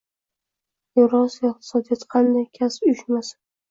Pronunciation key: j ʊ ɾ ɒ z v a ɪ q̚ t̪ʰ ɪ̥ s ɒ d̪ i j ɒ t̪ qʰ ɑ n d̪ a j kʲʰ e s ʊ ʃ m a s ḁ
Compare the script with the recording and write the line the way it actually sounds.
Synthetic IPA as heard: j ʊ ɾ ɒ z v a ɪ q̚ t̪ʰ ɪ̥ s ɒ d̪ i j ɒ t̪ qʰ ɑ n d̪ a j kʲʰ a s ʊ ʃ m a s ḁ